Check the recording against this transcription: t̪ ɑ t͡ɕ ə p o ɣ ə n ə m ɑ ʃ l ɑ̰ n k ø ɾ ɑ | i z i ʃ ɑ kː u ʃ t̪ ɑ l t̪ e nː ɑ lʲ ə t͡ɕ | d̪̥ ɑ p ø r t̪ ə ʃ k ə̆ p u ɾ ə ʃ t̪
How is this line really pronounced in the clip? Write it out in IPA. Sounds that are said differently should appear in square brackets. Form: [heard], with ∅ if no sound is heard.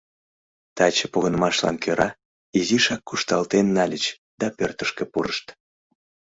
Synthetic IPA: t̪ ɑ t͡ɕ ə p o ɣ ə n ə m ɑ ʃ l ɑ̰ n k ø ɾ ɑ | i z i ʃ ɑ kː u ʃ t̪ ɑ l t̪ e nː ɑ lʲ ə t͡ɕ | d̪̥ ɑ p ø r t̪ ə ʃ k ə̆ p u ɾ ə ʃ t̪

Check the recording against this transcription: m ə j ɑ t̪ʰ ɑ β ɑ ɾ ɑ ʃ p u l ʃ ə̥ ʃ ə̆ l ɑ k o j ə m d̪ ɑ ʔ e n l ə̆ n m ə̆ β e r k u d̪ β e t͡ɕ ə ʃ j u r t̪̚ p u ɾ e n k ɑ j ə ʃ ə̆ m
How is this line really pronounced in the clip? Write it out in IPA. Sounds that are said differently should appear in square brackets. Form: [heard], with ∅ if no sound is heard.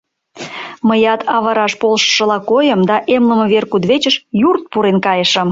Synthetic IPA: m ə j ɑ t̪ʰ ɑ β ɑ ɾ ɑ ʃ p [o] l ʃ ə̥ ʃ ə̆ l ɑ k o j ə m d̪ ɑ ʔ e [m] l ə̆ [∅] m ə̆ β e r k u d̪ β e t͡ɕ ə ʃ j u r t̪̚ p u ɾ e n k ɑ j ə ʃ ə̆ m

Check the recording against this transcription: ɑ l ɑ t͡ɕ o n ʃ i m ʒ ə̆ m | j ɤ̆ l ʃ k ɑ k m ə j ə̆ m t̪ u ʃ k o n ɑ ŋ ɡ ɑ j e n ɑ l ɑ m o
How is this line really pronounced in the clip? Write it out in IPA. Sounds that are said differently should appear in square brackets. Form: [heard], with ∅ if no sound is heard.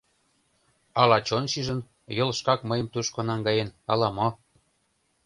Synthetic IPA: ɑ l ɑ t͡ɕ o n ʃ i [∅] ʒ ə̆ [n] | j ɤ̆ l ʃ k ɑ k m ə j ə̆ m t̪ u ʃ k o n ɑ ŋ ɡ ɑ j e n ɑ l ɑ m o

